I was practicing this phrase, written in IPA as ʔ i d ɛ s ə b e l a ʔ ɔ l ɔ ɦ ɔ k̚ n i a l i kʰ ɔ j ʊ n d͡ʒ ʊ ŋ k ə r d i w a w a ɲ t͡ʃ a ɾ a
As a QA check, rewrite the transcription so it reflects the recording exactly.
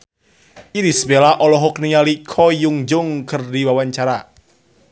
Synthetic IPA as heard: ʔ i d i s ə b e l a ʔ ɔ l ɔ ɦ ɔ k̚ n i a l i kʰ ɔ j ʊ ŋ d͡ʒ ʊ ŋ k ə r d i w a w a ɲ t͡ʃ a ɾ a